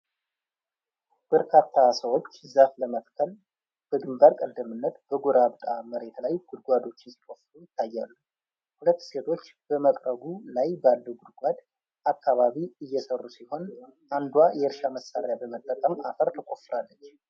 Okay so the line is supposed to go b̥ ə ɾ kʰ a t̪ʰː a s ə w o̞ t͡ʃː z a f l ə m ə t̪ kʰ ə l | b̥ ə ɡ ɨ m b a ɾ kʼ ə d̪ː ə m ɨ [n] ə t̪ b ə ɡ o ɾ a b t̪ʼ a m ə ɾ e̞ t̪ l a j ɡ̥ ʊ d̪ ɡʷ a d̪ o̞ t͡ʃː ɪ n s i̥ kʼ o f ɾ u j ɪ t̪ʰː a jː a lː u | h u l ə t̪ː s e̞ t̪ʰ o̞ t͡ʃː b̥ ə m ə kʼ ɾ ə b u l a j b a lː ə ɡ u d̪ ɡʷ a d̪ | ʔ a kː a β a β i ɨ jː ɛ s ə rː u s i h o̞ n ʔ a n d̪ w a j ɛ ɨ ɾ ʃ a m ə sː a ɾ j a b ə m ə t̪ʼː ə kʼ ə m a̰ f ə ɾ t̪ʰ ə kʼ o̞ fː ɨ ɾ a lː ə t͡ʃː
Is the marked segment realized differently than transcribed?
yes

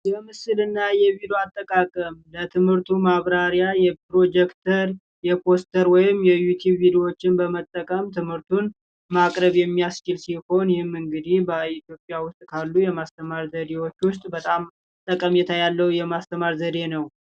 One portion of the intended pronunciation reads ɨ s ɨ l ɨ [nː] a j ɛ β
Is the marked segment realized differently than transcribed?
no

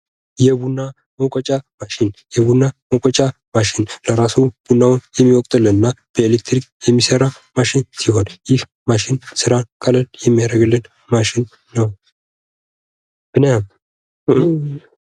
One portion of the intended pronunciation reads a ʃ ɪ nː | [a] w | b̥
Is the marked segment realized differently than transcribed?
yes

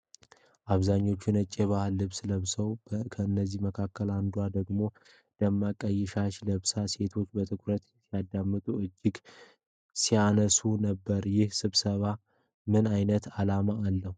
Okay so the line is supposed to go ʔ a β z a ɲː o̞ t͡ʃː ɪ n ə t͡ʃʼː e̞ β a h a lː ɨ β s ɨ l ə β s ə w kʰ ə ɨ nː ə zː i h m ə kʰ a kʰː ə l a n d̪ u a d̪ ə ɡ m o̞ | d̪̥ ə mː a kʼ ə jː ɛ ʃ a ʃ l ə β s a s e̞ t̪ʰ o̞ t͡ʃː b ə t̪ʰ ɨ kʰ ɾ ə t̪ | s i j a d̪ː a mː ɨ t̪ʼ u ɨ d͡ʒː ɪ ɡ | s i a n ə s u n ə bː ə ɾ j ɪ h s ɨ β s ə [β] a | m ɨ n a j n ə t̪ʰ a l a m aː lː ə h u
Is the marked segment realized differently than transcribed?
no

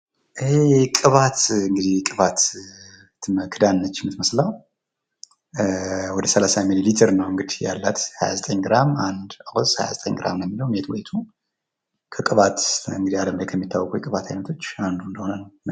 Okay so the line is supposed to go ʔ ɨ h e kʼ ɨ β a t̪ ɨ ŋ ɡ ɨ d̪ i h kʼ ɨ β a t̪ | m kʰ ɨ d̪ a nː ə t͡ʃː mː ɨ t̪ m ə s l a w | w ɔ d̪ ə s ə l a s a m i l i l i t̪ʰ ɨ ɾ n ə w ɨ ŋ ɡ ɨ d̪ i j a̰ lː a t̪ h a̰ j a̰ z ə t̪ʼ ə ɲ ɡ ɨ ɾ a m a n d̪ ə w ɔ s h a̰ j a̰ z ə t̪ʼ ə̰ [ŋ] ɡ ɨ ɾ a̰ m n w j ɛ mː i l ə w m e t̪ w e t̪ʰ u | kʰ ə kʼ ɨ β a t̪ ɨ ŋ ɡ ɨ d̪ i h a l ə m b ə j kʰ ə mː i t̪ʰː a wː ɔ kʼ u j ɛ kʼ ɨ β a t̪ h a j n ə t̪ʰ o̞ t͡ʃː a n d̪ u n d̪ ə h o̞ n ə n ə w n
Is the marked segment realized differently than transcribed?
yes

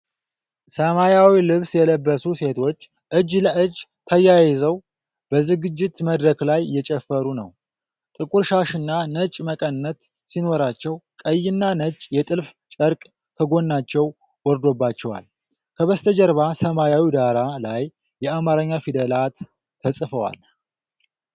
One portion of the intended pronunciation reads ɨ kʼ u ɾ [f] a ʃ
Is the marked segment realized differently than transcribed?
yes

